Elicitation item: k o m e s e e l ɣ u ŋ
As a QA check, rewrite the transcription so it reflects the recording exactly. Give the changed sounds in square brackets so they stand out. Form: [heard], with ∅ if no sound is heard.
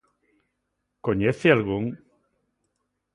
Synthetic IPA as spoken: k o [ɲ] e [θ] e [a] l ɣ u ŋ